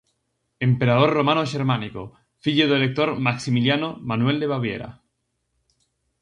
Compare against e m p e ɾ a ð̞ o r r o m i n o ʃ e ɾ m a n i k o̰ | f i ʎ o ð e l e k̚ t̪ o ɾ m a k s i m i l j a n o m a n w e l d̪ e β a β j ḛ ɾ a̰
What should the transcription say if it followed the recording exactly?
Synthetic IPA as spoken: e m p e ɾ a ð̞ o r r o m a n o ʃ e ɾ m a n i k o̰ | f i ʎ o ð e l e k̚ t̪ o ɾ m a k s i m i l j a n o m a n w e l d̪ e β a β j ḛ ɾ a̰